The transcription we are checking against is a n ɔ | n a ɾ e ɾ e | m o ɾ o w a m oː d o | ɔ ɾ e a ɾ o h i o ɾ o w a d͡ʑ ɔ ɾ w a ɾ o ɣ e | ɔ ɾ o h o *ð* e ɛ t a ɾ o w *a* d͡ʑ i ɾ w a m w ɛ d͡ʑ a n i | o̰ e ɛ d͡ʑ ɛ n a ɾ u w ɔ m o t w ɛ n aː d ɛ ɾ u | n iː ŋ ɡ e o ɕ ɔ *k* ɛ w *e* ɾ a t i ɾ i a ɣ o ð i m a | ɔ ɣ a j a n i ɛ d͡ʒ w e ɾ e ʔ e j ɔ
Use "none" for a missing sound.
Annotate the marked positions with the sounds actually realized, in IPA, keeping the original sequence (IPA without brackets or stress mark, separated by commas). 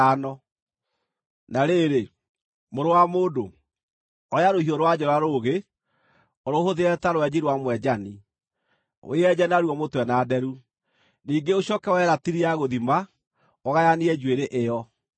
ð, ɛ, k, ɛ